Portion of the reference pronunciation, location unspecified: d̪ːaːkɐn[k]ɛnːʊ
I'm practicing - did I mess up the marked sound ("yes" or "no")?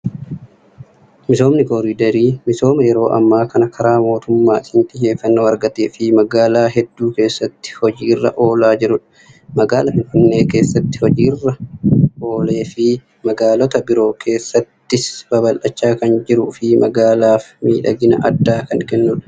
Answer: no